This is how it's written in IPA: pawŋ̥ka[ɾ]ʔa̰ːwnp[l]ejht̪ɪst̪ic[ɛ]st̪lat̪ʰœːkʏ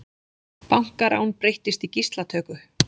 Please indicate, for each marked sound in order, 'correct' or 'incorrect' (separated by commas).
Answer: correct, incorrect, incorrect